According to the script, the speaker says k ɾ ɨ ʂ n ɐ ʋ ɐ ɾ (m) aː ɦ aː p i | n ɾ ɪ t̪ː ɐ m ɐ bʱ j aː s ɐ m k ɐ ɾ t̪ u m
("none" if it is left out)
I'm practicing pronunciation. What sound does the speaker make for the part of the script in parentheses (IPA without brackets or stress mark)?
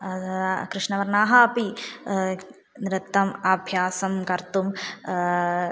n